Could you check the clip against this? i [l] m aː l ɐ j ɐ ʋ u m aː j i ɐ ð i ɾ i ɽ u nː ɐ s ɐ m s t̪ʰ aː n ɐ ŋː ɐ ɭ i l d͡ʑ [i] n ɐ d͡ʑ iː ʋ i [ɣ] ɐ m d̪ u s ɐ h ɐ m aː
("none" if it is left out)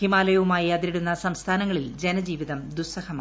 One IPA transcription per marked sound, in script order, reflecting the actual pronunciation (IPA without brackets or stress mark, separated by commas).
none, e, ð